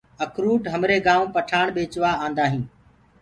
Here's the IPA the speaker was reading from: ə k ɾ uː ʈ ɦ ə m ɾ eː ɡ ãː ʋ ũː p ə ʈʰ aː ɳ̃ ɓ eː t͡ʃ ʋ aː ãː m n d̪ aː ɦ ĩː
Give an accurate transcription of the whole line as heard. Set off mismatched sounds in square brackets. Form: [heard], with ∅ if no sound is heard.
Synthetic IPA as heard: ə k ɾ uː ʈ ɦ ə m ɾ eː ɡ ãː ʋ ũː p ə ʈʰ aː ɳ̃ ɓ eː t͡ʃ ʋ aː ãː [∅] n d̪ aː ɦ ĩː